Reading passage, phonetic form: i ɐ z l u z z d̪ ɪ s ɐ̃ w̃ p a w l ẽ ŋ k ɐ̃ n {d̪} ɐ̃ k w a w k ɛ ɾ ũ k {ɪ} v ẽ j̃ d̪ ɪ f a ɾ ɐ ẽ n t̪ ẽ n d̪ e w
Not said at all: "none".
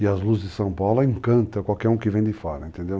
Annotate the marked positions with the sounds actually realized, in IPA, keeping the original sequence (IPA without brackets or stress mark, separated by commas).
t̪, ɪ